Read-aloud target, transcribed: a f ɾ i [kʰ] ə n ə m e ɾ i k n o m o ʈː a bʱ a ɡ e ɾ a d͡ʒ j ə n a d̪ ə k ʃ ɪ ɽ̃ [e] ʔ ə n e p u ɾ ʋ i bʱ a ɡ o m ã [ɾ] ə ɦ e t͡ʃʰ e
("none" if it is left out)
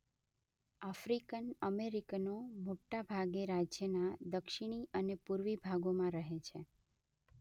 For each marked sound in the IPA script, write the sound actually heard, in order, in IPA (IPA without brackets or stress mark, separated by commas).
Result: k, i, ɾ